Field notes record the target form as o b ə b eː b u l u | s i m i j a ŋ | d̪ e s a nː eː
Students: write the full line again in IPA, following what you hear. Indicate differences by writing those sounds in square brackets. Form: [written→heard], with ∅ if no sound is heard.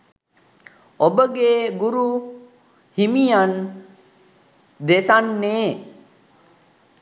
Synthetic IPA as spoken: o b ə [b→ɡ] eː [b→ɡ] u [l→ɾ] u | [s→h] i m i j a [ŋ→n] | d̪ e s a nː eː